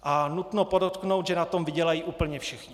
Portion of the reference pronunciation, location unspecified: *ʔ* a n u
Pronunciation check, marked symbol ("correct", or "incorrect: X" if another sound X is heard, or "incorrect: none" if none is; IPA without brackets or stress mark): correct